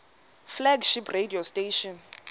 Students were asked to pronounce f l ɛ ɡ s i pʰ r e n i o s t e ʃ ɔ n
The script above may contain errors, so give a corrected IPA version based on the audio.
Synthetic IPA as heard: f l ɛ ɡ ʃ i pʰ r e d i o s t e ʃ ɔ n